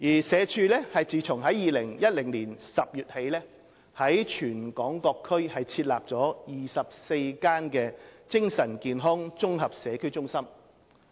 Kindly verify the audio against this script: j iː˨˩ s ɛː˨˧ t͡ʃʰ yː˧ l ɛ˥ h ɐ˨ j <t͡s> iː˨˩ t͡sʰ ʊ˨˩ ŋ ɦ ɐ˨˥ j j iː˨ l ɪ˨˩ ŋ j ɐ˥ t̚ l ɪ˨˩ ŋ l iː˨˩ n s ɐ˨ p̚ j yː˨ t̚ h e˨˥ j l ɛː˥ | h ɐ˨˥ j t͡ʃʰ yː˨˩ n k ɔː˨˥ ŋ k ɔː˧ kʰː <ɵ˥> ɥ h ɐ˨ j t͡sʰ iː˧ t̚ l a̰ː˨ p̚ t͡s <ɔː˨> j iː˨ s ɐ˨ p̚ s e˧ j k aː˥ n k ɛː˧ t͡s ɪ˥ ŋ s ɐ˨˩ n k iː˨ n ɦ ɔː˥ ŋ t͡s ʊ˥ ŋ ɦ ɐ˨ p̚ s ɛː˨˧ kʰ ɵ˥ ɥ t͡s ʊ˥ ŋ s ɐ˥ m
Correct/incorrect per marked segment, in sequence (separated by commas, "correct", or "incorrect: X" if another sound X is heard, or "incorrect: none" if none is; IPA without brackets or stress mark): correct, correct, incorrect: ɔː˨˥